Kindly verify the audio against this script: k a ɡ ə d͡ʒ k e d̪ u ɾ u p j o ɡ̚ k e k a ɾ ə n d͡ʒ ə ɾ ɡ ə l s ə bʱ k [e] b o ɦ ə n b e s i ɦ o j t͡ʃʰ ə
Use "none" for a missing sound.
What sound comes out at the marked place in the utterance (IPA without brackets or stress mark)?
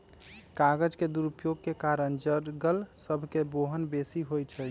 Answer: e